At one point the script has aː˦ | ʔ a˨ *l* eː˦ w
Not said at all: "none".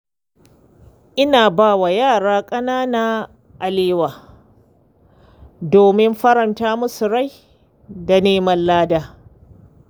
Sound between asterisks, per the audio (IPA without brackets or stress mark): l